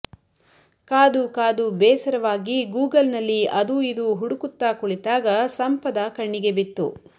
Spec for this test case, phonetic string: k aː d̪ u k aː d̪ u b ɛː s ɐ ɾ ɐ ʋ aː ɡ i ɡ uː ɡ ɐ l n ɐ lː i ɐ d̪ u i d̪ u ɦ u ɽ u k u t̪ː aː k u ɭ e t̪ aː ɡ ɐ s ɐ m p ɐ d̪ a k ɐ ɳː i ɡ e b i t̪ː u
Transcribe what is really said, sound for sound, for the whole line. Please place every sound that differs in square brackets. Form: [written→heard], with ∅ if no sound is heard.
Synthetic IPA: k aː d̪ u k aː d̪ u b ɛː s ɐ ɾ ɐ ʋ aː ɡ i ɡ uː ɡ ɐ l n ɐ lː i ɐ d̪ u i d̪ u ɦ u ɽ u k u t̪ː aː k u ɭ [e→i] t̪ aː ɡ ɐ s ɐ m p ɐ d̪ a k ɐ ɳː i ɡ e b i t̪ː u